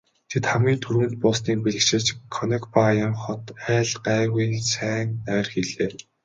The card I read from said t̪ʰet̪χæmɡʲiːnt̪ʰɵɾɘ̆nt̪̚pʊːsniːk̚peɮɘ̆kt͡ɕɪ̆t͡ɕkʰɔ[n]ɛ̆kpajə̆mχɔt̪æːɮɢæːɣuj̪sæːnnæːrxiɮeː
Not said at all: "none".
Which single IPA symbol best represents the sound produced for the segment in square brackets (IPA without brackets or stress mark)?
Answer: n